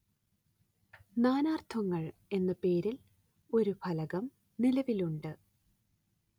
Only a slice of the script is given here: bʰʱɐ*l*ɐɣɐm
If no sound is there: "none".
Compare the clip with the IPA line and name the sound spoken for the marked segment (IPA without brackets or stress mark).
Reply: l